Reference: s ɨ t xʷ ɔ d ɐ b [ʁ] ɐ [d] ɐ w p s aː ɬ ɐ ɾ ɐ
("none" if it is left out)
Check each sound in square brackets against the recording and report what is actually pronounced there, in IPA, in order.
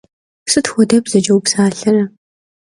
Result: z, d͡ʒ

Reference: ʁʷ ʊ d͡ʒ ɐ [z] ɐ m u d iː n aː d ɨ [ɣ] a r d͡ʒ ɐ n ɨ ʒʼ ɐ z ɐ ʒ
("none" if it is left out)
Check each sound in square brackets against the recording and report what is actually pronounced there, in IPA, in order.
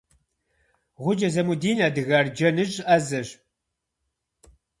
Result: z, ɣ

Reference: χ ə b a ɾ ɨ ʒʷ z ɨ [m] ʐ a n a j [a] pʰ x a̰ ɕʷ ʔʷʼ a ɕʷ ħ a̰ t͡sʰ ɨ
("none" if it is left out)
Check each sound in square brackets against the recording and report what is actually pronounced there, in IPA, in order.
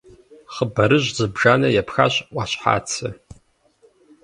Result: b, a

